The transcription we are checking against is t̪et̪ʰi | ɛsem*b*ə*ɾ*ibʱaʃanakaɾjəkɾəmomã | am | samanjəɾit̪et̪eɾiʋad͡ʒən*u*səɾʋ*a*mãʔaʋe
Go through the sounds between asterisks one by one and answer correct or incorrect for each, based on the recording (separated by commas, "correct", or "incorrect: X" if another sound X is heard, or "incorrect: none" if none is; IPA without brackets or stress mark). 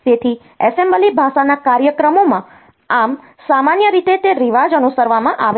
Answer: correct, incorrect: l, correct, correct